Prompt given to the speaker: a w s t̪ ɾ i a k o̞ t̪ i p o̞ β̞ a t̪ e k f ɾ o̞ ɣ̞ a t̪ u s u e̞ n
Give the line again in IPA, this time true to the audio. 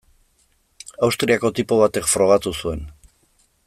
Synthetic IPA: a w s t̪ ɾ i a k o̞ t̪ i p o̞ β̞ a t̪ e k f ɾ o̞ ɣ̞ a t̪ u s u e̞ n